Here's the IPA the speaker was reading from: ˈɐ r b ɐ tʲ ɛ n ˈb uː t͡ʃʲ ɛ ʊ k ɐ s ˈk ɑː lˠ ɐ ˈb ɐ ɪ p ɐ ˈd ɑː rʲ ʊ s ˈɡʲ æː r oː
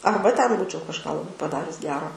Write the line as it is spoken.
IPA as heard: ˈɐ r b ɐ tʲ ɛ n ˈb uː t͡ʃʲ ɛ ʊ k ɐ ʃ ˈk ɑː lˠ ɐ ˈb ɐ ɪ p ɐ ˈd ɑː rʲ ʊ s ˈɡʲ æː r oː